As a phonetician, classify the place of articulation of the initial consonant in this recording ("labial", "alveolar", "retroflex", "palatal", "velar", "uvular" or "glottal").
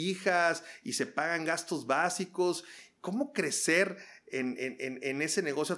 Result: velar